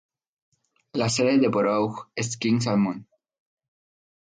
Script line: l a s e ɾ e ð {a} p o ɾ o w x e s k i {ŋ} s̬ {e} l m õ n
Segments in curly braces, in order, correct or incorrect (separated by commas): incorrect, correct, incorrect